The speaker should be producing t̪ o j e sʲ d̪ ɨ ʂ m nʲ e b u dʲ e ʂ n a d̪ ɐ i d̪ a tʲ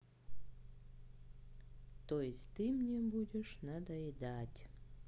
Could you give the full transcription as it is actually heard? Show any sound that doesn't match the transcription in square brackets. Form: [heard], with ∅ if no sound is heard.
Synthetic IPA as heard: t̪ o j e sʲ [t̪] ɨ [∅] m nʲ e b u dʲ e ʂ n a d̪ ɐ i d̪ a tʲ